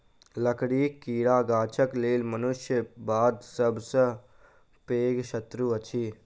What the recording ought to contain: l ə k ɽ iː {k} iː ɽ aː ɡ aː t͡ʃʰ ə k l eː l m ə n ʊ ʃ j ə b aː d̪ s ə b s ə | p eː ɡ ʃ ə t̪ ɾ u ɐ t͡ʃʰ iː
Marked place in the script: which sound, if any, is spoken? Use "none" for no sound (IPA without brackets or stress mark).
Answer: k